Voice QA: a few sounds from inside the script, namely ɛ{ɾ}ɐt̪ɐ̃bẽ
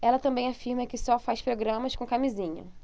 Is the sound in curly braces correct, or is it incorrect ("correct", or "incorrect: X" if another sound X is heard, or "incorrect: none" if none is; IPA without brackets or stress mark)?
incorrect: l